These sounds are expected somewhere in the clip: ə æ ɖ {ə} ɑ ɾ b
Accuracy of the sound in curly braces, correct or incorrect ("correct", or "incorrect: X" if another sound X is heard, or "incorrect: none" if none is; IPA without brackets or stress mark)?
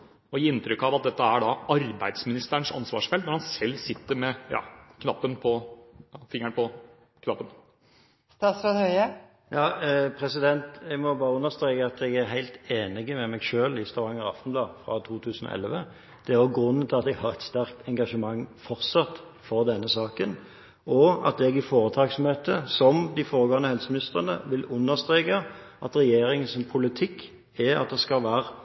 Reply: incorrect: ɑ